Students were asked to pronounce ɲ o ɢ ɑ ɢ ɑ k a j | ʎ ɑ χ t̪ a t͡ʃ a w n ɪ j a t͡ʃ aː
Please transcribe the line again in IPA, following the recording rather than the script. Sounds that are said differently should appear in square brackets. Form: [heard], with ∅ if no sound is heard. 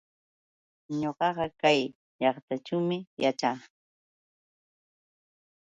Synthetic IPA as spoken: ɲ o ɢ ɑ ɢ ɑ k a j | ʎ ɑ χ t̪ a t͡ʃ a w [m] ɪ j a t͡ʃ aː